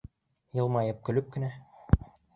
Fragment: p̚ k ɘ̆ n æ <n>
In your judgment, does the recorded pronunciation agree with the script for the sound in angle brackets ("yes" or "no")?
no